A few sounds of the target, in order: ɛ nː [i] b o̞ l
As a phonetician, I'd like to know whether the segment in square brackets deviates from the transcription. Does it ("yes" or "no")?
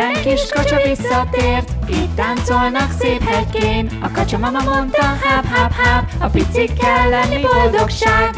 no